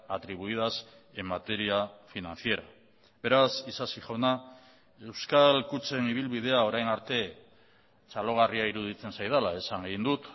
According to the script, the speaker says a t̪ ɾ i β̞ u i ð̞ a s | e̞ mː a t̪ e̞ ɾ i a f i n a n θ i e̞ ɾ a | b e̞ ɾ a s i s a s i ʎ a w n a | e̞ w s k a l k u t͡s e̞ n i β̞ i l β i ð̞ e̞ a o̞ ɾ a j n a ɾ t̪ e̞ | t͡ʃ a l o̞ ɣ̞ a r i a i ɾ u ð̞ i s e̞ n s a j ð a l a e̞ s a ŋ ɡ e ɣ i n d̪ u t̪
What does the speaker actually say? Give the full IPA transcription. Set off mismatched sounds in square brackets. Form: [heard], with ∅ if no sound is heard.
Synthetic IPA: a t̪ ɾ i β̞ u i ð̞ a s | e̞ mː a t̪ e̞ ɾ i a f i n a n θ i e̞ ɾ a | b e̞ ɾ a s i s a s i [ʝ] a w n a | e̞ w s k a l k u t͡s e̞ n i β̞ i l β i ð̞ e̞ a o̞ ɾ a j n a ɾ t̪ e̞ | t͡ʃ a l o̞ ɣ̞ a r i a i ɾ u ð̞ i [t͡s] e̞ n s a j ð a l a e̞ s a ŋ ɡ e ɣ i n d̪ u t̪